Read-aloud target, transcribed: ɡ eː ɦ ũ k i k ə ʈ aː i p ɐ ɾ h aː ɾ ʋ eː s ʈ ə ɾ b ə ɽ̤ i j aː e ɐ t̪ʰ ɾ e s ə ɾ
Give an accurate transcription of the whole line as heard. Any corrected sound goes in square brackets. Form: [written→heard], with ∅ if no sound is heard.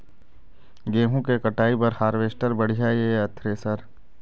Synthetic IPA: ɡ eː ɦ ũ k [i→e] k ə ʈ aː i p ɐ ɾ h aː ɾ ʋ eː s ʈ ə ɾ b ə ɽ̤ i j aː e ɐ t̪ʰ ɾ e s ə ɾ